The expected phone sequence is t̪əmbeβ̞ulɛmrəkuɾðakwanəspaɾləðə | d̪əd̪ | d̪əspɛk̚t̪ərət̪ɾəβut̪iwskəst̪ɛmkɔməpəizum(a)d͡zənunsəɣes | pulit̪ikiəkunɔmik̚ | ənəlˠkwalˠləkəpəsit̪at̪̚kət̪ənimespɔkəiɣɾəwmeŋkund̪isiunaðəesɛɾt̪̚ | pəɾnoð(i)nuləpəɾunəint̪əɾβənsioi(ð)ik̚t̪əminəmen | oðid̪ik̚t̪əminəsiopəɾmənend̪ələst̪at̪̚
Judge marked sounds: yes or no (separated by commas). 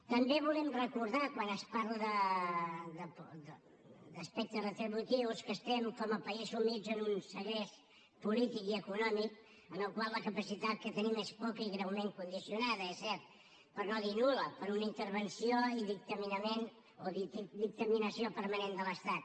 no, yes, yes